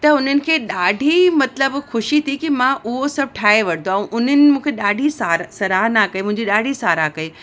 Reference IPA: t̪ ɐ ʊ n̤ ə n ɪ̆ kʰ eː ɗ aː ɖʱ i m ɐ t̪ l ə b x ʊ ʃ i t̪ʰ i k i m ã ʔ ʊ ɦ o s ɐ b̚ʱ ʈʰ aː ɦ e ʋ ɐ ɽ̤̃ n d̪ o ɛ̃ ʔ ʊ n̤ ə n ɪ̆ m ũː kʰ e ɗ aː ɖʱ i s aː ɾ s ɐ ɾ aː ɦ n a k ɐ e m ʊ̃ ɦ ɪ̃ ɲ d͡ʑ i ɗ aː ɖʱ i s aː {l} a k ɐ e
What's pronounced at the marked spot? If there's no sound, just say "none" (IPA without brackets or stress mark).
ɾ